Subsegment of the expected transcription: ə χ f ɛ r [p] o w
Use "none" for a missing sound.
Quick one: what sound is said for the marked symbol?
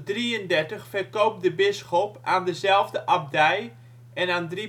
k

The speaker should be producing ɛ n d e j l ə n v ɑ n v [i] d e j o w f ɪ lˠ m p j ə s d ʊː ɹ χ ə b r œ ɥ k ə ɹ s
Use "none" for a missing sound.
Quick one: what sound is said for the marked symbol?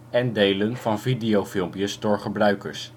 i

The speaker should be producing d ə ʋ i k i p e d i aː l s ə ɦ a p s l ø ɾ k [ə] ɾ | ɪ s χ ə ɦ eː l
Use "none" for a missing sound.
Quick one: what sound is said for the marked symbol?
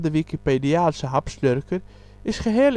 ə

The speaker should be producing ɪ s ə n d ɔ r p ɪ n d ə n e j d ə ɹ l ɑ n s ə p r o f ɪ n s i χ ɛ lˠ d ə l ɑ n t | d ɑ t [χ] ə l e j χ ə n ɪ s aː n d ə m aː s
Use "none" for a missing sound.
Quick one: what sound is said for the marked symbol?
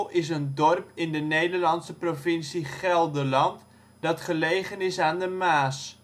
χ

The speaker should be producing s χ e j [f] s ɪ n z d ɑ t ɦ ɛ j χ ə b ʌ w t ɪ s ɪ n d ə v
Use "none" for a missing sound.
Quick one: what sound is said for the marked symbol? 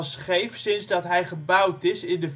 f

